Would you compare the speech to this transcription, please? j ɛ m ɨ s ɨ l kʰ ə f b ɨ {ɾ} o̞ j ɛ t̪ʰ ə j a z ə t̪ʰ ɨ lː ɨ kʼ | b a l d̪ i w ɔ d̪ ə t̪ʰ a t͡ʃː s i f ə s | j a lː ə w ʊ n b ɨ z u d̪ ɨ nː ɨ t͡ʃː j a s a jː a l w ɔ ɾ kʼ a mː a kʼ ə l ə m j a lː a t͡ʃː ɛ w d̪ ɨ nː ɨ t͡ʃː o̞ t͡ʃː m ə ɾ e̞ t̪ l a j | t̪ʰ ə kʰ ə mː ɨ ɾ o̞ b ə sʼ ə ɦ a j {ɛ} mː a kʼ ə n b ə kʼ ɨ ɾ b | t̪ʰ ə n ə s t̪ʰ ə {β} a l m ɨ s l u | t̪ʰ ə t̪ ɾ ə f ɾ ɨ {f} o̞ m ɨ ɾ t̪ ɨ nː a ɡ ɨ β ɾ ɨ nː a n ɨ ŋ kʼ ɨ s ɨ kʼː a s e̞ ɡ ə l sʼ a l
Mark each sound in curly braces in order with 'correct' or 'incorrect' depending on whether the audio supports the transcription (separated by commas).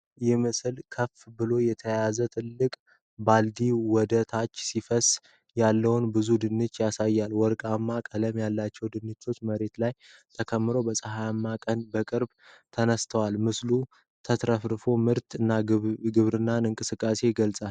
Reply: incorrect, incorrect, incorrect, correct